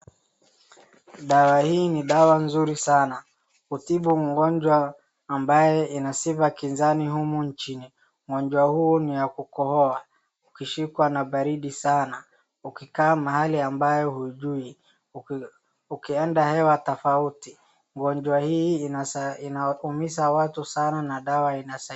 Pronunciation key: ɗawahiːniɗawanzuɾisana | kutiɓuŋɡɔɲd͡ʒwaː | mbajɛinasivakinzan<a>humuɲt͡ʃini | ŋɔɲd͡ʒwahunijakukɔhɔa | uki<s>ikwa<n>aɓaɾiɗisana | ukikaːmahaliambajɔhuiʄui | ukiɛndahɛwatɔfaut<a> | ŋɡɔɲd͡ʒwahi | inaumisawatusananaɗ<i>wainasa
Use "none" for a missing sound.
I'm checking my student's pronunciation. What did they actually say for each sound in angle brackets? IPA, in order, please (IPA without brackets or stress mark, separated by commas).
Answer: i, ʃ, n, i, a